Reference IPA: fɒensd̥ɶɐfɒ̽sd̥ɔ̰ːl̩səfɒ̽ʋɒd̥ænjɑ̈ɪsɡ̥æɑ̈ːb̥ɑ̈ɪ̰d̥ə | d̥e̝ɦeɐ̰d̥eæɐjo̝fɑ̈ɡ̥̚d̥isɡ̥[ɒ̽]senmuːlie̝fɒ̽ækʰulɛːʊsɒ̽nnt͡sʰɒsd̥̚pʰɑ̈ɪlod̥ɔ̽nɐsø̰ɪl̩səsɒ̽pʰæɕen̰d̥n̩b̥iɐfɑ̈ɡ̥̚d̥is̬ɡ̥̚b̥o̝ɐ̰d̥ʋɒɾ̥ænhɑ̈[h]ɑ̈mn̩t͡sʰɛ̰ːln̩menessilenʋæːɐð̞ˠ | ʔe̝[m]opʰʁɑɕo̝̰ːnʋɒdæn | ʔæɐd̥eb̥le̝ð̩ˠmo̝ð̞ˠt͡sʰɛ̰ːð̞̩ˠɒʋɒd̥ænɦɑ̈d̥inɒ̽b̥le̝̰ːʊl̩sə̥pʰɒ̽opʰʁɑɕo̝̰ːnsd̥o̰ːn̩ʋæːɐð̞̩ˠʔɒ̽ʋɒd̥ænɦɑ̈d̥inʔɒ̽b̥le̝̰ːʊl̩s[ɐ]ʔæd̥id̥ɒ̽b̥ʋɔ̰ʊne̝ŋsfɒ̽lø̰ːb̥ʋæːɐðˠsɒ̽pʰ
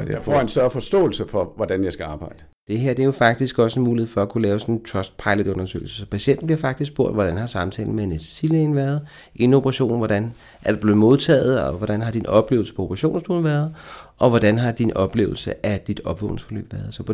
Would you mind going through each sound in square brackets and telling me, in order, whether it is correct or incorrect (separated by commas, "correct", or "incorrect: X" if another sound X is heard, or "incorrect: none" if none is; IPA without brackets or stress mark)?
correct, incorrect: s, incorrect: n, incorrect: ə